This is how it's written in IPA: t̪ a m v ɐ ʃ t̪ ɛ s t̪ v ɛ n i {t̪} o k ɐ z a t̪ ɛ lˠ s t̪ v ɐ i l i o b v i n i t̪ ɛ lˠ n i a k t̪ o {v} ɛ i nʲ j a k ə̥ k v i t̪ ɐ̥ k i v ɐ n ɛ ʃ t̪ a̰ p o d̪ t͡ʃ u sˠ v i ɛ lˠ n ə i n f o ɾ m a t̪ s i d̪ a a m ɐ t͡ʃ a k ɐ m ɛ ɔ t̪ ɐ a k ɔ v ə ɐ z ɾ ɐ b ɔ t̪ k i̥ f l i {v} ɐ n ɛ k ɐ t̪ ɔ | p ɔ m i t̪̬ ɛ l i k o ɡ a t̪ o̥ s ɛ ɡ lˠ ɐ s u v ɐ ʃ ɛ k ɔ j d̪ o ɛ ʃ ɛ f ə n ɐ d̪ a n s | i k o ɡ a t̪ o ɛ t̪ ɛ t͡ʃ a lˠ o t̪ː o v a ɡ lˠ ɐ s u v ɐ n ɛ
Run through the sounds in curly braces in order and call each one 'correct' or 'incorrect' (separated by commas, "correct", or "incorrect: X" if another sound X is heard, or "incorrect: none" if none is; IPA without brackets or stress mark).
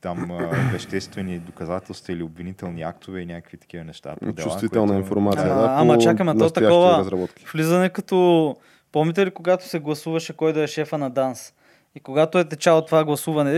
incorrect: d̪, correct, incorrect: z